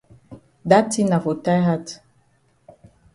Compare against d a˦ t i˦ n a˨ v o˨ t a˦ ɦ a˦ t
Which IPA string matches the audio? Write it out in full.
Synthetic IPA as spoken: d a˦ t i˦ n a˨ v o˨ t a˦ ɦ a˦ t